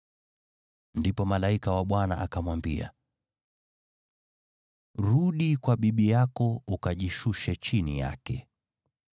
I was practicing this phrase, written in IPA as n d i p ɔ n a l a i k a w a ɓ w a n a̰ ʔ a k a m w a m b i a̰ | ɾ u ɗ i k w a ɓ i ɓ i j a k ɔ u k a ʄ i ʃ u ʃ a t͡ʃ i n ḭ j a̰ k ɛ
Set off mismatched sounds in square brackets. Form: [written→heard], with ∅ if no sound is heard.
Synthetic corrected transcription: n d i p ɔ [n→m] a l a i k a w a ɓ w a n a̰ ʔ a k a m w a m b i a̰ | ɾ u ɗ i k w a ɓ i ɓ i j a k ɔ u k a ʄ i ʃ u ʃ [a→ɛ] t͡ʃ i n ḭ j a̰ k ɛ